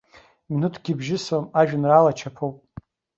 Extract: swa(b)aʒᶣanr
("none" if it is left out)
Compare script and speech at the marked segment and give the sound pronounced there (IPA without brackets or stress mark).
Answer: m